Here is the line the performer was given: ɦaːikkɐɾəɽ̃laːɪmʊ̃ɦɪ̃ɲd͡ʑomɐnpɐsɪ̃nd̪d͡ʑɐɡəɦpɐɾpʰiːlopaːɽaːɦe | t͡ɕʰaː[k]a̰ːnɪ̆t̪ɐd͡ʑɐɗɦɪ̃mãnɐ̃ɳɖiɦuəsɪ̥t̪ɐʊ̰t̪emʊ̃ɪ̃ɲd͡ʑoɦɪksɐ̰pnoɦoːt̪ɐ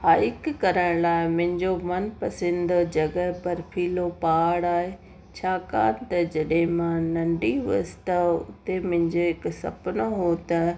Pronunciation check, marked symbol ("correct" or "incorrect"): correct